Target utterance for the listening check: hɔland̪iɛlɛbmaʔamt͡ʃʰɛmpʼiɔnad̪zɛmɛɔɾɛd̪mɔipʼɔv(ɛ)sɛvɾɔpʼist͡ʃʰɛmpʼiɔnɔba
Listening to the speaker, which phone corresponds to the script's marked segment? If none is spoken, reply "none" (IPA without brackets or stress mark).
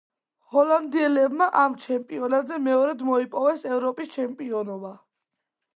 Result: ɛ